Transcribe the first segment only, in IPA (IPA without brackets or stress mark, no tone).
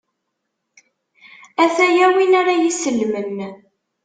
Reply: æ